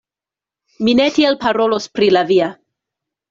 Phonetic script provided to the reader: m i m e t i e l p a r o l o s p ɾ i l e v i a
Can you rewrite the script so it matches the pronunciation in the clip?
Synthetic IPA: m i n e t i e l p a ɾ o l o s p ɾ i l a v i a